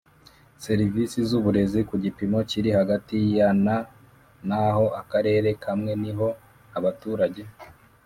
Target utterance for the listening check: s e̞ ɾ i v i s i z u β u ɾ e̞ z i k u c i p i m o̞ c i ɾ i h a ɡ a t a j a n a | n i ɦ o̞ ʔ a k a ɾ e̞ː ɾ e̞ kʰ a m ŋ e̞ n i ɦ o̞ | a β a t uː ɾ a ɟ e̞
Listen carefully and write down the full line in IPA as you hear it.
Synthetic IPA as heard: s e̞ ɾ i v i s i z u β u ɾ e̞ z i k u ɟ i p i m o̞ c i ɾ i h a ɡ a t i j a n a | n a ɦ o̞ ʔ a k a ɾ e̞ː ɾ e̞ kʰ a m ŋ e̞ n i ɦ o̞ | a β a t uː ɾ a ɟ e̞